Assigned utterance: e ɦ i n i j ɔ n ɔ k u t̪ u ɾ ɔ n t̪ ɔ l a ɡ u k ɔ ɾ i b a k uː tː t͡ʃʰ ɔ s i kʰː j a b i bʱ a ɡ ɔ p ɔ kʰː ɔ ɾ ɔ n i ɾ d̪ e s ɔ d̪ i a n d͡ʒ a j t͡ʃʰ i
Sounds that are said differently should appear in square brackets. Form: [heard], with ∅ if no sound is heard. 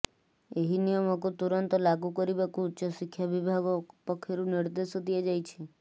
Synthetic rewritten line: e ɦ i n i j ɔ [m] ɔ k u t̪ u ɾ ɔ n t̪ ɔ l a ɡ u k ɔ ɾ i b a k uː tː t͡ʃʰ ɔ s i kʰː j a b i bʱ a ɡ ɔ p ɔ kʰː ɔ ɾ [u] n i ɾ d̪ e s ɔ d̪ i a [∅] d͡ʒ a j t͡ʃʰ i